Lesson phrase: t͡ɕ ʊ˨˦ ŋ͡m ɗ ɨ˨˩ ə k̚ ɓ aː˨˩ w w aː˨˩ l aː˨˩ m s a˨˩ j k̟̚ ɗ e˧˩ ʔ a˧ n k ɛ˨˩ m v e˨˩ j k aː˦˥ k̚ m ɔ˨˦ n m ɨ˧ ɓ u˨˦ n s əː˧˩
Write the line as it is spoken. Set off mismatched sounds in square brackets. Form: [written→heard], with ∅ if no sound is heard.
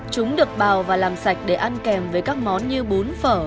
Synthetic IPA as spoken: t͡ɕ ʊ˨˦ ŋ͡m ɗ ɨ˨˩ ə k̚ ɓ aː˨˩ w [w→v] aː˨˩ l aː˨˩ m s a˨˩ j k̟̚ ɗ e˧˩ ʔ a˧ n k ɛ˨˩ m v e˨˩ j k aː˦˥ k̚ m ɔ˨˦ n [m→ɲ] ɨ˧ ɓ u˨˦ n [s→f] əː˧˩